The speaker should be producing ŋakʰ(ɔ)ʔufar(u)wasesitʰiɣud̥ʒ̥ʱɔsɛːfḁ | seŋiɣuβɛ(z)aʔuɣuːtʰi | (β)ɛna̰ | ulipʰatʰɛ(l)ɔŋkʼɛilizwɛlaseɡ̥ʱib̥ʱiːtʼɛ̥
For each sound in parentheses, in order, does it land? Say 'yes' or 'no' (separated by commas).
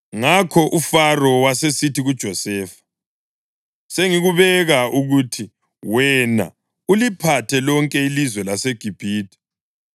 yes, no, no, no, yes